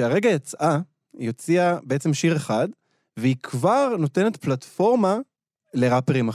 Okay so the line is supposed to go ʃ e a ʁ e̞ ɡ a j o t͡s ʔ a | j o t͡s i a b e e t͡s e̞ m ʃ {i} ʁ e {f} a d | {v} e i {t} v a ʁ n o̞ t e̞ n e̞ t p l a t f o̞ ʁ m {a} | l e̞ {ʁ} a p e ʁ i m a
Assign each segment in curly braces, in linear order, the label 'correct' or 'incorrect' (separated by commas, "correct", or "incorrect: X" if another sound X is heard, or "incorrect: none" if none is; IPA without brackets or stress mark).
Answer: correct, incorrect: χ, correct, incorrect: k, correct, correct